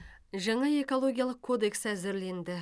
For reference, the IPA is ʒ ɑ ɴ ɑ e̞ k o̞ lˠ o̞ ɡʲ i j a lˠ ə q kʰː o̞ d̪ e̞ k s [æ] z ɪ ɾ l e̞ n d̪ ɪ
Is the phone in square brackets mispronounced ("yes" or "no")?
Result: no